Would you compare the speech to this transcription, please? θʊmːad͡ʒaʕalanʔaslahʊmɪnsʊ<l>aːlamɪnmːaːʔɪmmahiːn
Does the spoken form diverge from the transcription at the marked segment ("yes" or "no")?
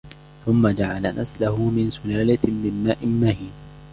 no